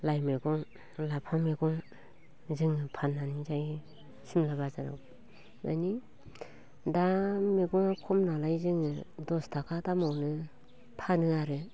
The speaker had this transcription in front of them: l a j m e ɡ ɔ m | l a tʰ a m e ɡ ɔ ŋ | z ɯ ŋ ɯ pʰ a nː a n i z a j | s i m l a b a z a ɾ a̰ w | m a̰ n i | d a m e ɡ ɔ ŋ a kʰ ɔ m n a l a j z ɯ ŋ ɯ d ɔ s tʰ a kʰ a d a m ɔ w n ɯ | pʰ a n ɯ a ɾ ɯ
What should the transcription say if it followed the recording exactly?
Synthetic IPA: l a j m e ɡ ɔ ŋ | l a pʰ a m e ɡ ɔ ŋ | z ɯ ŋ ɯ pʰ a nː a n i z a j | s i m l a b a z a ɾ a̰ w | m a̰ n i | d a m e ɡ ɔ ŋ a kʰ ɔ m n a l a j z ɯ ŋ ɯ d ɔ s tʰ a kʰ a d a m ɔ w n ɯ | pʰ a n ɯ a ɾ ɯ